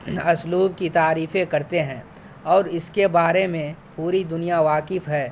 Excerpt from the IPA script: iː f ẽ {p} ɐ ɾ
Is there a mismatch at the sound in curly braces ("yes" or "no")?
yes